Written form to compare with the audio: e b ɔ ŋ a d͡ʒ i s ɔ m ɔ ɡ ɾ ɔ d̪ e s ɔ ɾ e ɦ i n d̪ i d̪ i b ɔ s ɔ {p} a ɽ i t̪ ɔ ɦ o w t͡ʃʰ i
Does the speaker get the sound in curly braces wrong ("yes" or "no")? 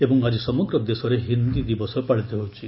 no